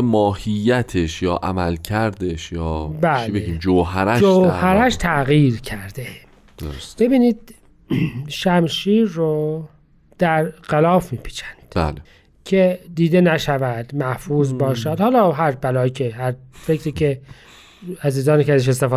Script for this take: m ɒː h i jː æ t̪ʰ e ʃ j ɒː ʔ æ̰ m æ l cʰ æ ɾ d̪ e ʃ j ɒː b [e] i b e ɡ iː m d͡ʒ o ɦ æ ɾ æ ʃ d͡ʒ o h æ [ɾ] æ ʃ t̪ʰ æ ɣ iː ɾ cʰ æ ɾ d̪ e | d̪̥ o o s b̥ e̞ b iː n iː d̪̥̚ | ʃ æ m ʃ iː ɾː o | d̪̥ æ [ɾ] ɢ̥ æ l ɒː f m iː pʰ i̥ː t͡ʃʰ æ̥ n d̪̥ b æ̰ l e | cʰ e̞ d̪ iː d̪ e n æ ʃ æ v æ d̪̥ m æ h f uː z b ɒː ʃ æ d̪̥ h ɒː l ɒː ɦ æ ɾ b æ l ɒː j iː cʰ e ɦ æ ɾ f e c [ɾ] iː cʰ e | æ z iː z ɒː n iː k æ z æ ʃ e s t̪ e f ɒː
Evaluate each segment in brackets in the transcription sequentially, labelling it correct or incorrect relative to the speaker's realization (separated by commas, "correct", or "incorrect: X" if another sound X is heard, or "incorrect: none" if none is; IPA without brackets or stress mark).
incorrect: æ, correct, correct, correct